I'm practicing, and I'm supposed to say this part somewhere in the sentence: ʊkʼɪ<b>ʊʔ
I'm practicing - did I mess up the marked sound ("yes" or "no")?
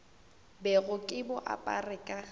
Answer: no